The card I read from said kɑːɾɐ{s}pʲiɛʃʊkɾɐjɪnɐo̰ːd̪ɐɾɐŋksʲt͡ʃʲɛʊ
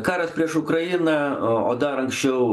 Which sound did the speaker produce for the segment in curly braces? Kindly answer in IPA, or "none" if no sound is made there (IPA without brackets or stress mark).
s